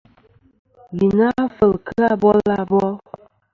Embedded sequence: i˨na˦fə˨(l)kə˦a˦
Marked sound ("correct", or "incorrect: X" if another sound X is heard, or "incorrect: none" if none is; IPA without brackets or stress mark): correct